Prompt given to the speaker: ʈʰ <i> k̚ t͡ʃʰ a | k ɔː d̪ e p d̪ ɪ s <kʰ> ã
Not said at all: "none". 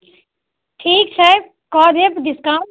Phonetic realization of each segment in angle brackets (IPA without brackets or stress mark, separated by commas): iː, k